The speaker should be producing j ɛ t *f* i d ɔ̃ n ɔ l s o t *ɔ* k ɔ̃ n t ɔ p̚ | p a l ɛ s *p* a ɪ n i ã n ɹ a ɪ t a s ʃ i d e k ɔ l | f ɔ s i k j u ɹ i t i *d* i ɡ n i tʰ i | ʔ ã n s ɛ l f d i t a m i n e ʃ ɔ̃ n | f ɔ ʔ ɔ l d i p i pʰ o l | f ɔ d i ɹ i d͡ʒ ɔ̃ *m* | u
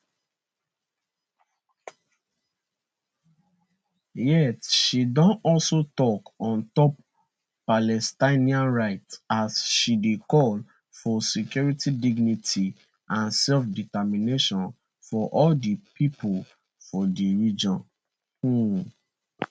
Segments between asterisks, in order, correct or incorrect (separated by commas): incorrect, correct, incorrect, correct, incorrect